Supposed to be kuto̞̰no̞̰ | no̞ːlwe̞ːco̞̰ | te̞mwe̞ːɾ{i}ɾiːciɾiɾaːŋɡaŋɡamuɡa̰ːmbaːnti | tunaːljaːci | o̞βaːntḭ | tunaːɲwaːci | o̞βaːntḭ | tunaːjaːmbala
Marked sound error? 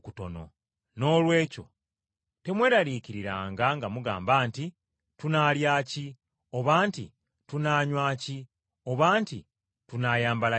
yes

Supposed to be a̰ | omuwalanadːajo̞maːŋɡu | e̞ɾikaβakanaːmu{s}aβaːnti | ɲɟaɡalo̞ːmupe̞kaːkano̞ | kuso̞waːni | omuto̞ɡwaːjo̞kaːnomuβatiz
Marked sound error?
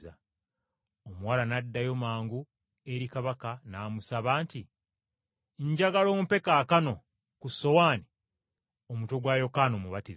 no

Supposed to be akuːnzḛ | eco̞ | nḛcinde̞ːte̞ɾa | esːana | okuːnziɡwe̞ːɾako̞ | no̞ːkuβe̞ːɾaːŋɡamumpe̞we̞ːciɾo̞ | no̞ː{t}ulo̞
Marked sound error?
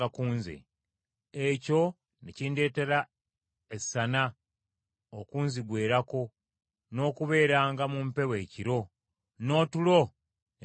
no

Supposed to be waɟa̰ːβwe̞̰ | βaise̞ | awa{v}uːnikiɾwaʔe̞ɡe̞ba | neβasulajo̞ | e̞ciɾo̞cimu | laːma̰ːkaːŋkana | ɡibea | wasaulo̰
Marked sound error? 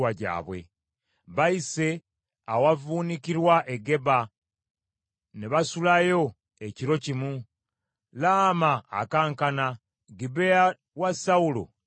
no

